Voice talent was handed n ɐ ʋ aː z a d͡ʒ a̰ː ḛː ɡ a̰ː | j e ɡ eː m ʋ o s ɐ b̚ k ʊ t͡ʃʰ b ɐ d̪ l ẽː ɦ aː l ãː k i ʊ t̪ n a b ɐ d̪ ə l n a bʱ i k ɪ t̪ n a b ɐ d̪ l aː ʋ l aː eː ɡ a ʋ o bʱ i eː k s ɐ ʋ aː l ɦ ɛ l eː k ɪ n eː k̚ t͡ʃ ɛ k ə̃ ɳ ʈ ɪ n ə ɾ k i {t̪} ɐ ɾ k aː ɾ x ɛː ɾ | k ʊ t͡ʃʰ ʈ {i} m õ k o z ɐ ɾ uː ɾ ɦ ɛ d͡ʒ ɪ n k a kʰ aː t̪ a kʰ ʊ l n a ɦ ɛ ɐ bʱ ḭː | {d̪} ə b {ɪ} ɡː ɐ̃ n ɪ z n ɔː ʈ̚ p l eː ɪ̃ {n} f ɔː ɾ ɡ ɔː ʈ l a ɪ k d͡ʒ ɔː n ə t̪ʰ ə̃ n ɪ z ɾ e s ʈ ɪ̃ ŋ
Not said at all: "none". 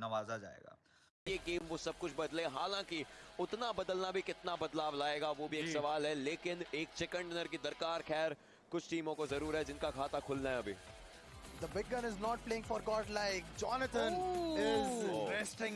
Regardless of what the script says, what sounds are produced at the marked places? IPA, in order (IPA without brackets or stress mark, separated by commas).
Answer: d̪, iː, d̪, ɪ, ŋ